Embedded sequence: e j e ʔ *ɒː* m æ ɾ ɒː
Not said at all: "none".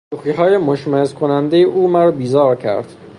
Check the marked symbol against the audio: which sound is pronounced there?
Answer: uː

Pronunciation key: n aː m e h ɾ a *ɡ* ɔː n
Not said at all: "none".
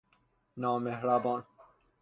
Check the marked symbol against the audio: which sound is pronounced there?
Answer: b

